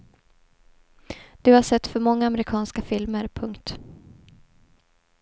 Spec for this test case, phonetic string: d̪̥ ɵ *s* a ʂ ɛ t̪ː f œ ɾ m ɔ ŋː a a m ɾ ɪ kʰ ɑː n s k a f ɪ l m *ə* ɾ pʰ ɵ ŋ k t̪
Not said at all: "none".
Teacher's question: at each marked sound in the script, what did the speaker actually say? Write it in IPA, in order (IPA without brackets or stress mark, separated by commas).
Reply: h, ə